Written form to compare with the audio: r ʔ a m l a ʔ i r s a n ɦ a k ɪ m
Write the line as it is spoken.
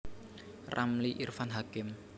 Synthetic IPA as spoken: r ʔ a m l i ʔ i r f a n ɦ a k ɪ m